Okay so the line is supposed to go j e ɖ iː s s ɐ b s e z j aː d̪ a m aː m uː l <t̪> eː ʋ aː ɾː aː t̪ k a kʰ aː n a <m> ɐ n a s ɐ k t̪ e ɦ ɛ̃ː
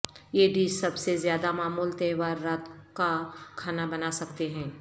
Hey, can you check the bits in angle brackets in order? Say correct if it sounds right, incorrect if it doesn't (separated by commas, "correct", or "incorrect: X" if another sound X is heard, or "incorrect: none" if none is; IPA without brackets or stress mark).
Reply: correct, incorrect: b